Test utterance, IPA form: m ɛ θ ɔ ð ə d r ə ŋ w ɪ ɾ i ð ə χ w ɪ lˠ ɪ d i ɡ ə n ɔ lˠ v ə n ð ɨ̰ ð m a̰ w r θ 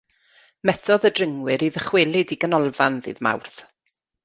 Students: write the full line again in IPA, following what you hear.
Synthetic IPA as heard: m ɛ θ ɔ ð ə d r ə ŋ w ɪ ɾ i ð ə χ w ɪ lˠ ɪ d i ɡ ə n ɔ lˠ v a n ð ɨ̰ ð m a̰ w r θ

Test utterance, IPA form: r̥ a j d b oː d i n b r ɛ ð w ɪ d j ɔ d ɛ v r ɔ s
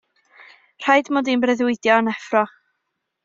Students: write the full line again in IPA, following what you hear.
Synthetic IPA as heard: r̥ a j d m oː d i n b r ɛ ð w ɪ d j ɔ n ɛ f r ɔ χ

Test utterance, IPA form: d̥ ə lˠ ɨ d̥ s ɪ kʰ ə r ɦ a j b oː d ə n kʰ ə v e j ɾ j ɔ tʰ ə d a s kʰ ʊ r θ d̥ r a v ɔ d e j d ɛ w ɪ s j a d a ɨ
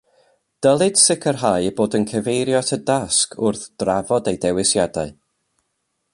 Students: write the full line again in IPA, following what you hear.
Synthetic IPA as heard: d̥ ə lˠ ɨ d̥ s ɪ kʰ ə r ɦ a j b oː d ə n kʰ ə v e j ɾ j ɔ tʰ ə d a s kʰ ʊ r θ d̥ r a v ɔ d e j d ɛ w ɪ s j a d a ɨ

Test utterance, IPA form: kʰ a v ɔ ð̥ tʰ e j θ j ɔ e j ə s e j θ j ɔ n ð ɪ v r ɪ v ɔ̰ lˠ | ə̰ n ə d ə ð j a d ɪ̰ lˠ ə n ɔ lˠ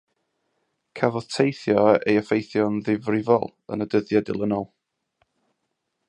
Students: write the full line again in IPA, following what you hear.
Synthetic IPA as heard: kʰ a v ɔ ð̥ tʰ e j θ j ɔ e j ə f e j θ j ɔ n ð ɪ v r ɪ v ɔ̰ lˠ | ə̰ n ə d ə ð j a d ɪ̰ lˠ ə n ɔ lˠ

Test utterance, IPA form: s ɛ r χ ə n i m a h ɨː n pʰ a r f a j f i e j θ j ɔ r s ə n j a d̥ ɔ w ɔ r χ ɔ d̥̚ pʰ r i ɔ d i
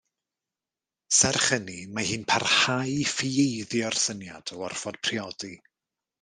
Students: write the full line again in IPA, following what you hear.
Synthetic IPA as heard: s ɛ r χ ə n i m a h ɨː n pʰ a r h a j f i e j ð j ɔ r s ə n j a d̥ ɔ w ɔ r f ɔ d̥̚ pʰ r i ɔ d i

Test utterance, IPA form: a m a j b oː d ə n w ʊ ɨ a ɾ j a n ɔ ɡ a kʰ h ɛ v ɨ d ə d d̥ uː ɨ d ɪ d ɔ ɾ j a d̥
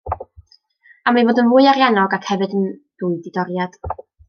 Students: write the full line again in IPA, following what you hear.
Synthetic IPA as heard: a m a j v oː d ə n v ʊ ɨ a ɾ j a n ɔ ɡ a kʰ h ɛ v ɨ d ə n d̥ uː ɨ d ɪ d ɔ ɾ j a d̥

